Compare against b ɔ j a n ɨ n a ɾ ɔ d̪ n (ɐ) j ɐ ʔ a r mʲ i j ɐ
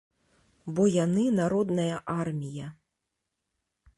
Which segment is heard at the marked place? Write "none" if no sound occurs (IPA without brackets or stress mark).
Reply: ɐ